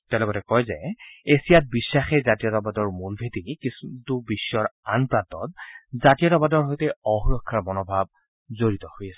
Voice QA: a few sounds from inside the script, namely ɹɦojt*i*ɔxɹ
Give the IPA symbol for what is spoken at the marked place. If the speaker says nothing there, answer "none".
ɛ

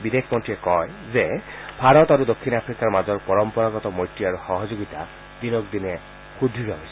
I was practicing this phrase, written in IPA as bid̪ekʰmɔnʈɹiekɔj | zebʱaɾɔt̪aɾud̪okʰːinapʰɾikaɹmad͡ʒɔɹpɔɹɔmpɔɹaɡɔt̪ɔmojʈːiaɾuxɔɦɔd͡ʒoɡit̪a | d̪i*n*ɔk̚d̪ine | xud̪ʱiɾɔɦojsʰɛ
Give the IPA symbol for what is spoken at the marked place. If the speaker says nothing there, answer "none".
n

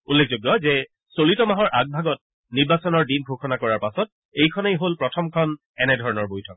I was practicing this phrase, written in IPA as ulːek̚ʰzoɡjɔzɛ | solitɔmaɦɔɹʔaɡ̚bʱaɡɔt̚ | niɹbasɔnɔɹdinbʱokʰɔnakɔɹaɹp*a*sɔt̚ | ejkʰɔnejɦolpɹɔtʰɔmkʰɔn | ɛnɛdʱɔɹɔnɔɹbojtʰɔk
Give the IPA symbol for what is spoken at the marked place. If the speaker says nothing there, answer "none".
a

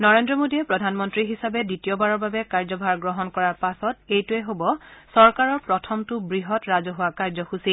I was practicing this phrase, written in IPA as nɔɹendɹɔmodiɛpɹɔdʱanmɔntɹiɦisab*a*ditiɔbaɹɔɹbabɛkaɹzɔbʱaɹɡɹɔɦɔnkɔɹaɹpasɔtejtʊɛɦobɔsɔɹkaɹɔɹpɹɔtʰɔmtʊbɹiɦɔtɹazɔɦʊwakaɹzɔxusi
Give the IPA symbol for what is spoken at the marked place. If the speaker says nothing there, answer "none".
ɛ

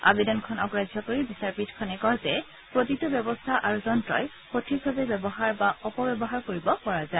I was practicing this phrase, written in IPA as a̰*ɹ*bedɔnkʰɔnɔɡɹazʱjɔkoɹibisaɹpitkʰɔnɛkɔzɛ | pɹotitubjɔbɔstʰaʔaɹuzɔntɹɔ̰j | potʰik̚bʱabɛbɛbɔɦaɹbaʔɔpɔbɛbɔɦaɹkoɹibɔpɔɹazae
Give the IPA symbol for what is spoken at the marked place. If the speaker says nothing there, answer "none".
none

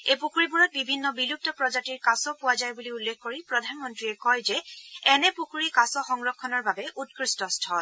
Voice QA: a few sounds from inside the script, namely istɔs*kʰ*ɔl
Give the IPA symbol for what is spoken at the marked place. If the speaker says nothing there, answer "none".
tʰ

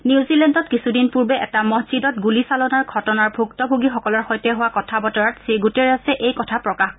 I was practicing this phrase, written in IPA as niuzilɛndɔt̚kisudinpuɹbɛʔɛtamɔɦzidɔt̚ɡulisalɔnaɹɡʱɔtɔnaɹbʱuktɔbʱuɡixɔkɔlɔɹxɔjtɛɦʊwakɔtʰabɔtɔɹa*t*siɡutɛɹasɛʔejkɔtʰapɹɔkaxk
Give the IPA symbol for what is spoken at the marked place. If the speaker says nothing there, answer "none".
t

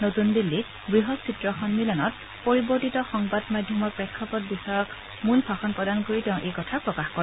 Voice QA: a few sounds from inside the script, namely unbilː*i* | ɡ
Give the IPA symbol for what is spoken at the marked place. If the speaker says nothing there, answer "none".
i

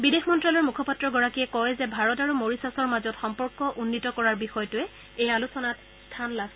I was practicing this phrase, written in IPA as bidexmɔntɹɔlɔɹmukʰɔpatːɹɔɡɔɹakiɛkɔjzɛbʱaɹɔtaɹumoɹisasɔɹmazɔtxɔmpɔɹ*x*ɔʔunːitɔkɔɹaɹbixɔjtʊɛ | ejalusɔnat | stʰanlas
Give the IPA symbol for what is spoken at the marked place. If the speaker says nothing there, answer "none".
k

